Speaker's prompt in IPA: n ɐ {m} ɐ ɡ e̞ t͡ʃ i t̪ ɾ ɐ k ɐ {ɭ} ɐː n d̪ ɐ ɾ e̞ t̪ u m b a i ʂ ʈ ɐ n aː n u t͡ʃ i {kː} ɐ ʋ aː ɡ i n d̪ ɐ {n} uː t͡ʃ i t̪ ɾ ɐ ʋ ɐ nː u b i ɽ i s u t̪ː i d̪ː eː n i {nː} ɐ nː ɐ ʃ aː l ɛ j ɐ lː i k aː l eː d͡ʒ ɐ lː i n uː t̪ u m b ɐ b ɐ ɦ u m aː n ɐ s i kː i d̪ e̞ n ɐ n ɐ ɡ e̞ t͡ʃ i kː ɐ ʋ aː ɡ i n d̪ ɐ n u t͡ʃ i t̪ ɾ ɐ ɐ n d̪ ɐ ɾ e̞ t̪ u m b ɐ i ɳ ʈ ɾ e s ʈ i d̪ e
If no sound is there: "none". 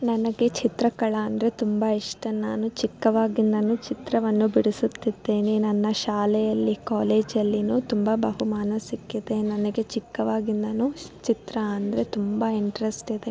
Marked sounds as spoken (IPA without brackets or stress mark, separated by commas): n, ɭ, kː, n, n